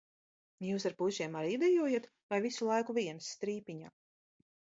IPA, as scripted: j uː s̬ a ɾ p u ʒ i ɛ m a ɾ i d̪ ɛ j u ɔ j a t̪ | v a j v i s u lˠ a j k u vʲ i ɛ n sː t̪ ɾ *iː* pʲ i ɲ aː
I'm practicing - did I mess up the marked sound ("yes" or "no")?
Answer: no